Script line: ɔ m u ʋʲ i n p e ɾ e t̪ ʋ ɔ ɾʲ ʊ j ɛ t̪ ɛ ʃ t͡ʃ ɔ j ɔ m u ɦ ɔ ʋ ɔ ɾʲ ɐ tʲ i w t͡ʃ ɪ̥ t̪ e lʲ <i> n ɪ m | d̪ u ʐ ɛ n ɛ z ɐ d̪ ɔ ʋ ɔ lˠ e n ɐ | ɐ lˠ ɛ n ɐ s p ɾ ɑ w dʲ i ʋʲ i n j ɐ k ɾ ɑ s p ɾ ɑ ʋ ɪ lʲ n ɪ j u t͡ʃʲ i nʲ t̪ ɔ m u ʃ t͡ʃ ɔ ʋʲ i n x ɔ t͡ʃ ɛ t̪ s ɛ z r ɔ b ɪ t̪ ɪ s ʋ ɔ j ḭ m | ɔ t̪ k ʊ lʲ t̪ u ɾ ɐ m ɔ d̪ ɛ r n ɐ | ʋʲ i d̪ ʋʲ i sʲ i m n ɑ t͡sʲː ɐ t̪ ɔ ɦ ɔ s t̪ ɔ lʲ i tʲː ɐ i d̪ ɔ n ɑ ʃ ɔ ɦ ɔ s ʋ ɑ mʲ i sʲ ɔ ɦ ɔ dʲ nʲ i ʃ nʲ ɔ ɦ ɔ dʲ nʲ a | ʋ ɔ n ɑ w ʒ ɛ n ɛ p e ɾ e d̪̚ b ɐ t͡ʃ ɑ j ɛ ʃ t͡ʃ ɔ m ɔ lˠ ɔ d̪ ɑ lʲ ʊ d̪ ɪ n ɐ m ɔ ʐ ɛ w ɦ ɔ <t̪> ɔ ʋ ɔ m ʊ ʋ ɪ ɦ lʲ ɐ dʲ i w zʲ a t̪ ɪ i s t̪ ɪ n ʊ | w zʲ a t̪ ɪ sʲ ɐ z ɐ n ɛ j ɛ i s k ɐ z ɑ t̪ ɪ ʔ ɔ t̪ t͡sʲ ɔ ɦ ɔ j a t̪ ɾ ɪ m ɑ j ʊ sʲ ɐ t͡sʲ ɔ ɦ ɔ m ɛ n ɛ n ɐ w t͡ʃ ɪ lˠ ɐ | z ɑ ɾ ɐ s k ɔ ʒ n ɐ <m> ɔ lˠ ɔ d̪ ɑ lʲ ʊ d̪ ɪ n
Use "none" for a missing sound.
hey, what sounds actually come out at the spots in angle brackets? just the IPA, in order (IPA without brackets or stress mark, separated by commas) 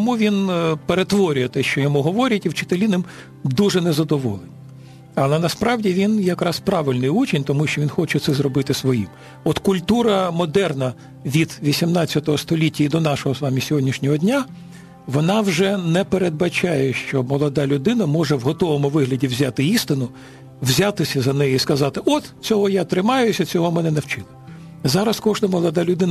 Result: i, t̪, m